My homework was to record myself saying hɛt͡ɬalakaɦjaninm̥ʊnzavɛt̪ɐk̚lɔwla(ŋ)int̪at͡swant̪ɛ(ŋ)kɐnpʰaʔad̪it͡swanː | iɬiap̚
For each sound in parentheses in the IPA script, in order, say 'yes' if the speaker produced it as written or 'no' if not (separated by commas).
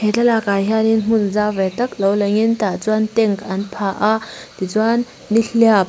yes, yes